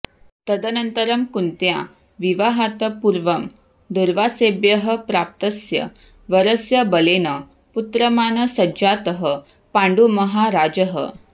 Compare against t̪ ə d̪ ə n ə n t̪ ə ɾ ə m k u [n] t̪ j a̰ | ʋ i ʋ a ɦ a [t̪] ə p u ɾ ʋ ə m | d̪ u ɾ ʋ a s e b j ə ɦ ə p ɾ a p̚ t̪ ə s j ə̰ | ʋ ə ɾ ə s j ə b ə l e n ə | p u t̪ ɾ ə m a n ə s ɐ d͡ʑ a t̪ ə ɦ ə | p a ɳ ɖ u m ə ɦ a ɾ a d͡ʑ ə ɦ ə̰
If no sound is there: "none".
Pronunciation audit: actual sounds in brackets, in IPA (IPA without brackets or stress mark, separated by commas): n, t̪